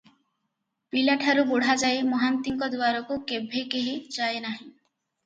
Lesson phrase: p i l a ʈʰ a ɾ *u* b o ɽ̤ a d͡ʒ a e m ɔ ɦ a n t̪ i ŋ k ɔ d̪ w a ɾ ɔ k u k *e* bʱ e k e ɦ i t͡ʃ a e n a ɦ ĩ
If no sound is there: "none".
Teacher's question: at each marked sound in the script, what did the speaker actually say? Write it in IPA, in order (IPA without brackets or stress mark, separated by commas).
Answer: u, e